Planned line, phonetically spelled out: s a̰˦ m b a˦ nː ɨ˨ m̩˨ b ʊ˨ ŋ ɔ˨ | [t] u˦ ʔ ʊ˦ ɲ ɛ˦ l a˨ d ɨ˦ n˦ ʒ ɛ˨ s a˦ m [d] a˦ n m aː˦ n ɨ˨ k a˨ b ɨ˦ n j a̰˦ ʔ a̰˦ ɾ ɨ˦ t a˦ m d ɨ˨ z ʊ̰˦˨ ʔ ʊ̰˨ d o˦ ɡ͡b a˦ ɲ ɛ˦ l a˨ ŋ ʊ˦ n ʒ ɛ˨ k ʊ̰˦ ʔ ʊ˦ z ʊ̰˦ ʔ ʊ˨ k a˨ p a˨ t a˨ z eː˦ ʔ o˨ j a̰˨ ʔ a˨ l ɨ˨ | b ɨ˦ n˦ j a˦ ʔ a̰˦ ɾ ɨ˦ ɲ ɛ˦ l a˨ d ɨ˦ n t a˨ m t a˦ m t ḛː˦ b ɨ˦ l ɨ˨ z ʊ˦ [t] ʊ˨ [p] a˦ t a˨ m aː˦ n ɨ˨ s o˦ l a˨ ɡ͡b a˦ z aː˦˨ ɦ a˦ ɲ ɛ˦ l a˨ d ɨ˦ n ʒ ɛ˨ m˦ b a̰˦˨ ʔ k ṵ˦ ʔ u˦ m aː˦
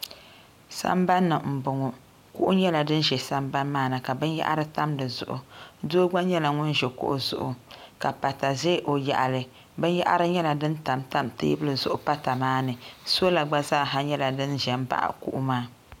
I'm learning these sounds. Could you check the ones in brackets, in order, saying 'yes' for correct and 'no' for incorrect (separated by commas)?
no, no, no, yes